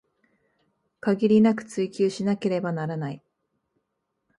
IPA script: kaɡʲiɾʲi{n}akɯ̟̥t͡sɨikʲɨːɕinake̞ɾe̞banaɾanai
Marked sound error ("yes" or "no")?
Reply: no